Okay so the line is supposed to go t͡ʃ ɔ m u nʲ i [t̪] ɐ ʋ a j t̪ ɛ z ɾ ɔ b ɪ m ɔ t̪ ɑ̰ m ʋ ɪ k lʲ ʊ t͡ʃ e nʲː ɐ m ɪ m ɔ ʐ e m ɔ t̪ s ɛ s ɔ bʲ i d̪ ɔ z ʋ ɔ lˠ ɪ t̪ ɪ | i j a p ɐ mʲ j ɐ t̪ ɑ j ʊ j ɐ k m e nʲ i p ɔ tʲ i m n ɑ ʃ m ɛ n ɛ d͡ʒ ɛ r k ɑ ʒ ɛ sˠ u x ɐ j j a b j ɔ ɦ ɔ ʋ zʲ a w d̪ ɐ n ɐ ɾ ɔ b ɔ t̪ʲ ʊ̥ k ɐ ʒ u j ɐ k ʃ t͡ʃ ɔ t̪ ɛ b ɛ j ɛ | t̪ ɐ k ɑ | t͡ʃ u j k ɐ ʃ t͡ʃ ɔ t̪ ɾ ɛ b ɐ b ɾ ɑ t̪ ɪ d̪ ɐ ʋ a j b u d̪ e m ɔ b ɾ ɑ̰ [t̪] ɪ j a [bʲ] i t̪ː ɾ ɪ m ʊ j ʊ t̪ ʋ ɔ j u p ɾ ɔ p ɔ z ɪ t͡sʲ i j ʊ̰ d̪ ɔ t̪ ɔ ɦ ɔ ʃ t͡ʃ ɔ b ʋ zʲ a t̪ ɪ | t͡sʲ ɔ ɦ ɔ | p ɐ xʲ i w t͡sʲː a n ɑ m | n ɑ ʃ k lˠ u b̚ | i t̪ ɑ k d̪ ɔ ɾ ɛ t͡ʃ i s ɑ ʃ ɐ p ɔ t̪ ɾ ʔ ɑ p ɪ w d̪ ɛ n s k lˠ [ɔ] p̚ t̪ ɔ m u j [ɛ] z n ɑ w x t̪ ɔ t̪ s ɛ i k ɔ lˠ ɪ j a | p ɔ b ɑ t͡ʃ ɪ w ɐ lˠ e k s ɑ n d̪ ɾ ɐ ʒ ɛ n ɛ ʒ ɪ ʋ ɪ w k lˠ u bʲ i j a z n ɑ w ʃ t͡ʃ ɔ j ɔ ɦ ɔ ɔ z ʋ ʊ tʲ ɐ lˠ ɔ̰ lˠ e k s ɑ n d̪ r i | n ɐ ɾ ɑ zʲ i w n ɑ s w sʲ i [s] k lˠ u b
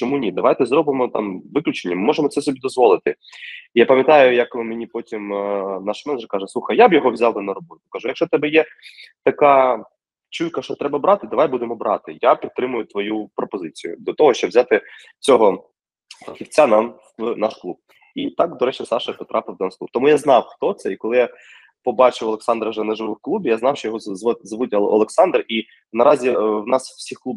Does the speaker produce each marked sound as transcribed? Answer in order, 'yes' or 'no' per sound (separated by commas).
no, yes, no, no, no, no